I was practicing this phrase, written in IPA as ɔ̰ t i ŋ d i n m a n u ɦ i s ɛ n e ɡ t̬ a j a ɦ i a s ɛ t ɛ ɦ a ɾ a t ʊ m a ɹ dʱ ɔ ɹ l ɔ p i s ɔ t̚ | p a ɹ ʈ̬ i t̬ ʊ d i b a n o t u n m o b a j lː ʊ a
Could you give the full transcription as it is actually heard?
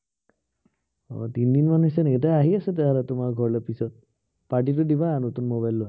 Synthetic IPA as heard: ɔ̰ t i n d i n m a n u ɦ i s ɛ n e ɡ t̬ a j a ɦ i a s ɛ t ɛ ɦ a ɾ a t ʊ m a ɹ ɡʱ ɔ ɹ l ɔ p i s ɔ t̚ | p a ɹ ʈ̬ i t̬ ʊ d i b a n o t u n m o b a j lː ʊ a